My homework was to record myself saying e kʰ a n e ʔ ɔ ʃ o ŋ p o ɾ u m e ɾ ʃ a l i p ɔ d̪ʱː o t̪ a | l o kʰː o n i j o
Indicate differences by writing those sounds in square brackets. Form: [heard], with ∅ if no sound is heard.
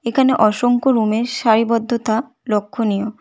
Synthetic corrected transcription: e kʰ a n e ʔ ɔ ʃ o ŋ [k] o ɾ u m e ɾ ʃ a [ɾ] i [b] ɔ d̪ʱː o t̪ a | l o kʰː o n i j o